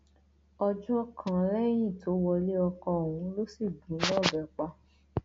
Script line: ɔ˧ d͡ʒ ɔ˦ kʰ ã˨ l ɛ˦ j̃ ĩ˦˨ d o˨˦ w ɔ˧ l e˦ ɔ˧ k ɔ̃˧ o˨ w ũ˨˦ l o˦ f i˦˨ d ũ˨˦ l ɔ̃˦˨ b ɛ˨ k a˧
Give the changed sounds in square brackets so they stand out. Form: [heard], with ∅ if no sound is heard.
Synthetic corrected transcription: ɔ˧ d͡ʒ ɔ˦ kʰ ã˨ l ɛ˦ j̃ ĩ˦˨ [t] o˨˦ w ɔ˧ l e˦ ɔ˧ k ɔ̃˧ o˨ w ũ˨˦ l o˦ [s] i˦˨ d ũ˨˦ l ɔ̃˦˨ b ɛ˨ [k͡p] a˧

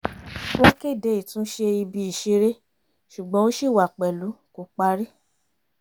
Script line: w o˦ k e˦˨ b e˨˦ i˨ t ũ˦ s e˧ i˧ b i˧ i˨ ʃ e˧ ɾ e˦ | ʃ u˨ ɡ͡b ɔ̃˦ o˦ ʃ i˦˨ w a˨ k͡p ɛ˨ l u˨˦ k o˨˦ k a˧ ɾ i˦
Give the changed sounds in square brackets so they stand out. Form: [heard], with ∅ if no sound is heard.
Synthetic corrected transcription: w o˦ k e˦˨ [d] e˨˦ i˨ t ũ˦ [ʃ] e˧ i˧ b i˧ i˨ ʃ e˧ ɾ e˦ | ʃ u˨ ɡ͡b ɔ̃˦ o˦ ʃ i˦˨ w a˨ k͡p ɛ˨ l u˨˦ k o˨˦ [k͡p] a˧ ɾ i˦

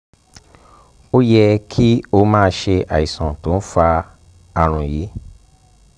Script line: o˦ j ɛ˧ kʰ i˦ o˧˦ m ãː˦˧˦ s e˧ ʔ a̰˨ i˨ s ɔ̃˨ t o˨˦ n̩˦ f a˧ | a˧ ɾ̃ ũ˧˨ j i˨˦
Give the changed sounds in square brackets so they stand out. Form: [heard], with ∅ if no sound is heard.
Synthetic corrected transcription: o˦ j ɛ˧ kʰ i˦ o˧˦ m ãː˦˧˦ [ʃ] e˧ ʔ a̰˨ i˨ s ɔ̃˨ t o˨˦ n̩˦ f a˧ | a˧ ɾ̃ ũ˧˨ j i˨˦

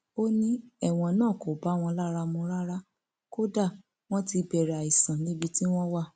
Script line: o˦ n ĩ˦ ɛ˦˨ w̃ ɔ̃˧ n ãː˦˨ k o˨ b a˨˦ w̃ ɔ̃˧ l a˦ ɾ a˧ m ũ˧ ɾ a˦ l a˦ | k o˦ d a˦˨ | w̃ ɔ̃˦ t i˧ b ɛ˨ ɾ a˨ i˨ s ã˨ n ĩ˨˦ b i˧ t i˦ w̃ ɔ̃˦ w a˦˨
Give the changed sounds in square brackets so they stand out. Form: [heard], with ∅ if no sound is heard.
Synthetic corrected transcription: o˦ n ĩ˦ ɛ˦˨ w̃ ɔ̃˧ n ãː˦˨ k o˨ b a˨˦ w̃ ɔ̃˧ l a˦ ɾ a˧ m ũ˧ ɾ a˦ [ɾ] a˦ | k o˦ d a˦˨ | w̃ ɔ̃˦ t i˧ b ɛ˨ ɾ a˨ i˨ s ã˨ n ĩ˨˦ b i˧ t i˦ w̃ ɔ̃˦ w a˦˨

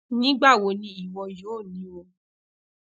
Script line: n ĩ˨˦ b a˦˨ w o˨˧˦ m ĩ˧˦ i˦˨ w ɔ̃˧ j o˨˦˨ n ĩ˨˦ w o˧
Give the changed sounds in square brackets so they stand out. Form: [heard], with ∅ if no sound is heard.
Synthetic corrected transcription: n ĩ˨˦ [ɡ͡b] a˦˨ w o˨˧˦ [n] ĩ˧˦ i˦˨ w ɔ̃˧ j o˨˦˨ n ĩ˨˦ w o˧

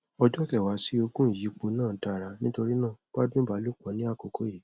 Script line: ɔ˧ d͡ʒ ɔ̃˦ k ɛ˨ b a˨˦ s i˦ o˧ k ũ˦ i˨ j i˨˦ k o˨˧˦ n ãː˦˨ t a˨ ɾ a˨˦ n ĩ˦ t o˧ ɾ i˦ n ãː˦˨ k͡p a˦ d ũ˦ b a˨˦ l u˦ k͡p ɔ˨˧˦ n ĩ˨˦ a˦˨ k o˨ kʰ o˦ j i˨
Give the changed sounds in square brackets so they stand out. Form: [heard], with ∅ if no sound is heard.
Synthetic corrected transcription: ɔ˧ d͡ʒ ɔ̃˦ k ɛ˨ [w] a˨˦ s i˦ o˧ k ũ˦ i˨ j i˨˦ [k͡p] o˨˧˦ n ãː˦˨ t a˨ ɾ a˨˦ n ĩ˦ t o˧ ɾ i˦ n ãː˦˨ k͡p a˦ d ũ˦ b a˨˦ l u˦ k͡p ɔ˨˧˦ n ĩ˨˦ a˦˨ k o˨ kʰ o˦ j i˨

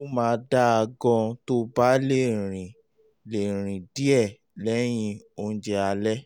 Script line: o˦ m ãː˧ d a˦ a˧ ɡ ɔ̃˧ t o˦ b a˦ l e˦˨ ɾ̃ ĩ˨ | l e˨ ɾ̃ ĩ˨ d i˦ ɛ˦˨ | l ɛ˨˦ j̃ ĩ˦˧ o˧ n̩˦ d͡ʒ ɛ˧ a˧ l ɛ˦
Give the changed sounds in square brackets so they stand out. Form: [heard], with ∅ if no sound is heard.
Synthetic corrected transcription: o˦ m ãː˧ d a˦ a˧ ɡ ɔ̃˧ t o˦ b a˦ l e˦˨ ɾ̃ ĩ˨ | l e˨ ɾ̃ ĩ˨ d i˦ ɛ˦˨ | l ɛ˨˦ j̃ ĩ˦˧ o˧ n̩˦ d͡ʒ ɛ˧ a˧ l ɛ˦

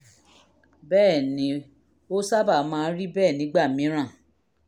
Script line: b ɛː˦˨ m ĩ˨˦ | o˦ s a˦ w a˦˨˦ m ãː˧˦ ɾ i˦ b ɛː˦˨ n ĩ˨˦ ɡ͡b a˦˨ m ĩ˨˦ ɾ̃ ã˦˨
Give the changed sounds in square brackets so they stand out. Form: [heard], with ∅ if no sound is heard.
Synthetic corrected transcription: b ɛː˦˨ [n] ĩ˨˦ | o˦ s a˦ [b] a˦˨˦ m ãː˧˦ ɾ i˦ b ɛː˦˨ n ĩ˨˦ ɡ͡b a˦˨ m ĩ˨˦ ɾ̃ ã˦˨

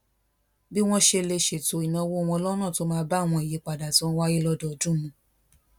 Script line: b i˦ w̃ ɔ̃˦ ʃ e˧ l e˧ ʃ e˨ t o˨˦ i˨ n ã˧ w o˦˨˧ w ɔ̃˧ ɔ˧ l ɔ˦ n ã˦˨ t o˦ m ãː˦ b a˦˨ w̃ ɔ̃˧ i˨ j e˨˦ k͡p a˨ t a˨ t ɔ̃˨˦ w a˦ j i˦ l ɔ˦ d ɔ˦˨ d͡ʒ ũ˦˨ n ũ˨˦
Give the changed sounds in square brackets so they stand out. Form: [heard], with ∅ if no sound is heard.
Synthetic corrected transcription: b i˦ w̃ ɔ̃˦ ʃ e˧ l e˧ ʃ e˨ t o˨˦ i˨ n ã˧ w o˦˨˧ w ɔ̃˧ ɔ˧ l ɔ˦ n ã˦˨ t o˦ m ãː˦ b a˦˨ w̃ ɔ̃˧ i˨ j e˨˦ k͡p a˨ [d] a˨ t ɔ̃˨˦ w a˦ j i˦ l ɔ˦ d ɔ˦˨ d͡ʒ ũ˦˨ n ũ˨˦

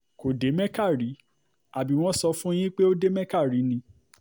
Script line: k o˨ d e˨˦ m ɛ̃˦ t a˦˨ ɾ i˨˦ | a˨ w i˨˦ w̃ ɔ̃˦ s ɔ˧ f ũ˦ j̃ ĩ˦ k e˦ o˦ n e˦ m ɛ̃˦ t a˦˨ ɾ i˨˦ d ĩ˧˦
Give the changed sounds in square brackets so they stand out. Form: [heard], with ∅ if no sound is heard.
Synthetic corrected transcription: k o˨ d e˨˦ m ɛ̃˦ [k] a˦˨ ɾ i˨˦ | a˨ [b] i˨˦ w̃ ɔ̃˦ s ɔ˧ f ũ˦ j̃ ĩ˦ [k͡p] e˦ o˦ [d] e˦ m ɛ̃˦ [k] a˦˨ ɾ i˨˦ [n] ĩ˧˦

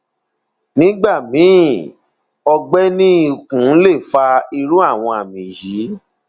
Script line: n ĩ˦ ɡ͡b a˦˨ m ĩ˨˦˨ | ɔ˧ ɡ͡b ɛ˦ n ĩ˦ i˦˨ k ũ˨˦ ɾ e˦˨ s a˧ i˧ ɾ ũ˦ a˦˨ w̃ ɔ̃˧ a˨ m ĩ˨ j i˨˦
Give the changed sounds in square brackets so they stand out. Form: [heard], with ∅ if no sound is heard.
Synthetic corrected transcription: n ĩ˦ ɡ͡b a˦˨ m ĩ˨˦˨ | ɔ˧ ɡ͡b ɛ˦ n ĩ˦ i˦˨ k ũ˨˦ [l] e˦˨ [f] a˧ i˧ ɾ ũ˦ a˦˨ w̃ ɔ̃˧ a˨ m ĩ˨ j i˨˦

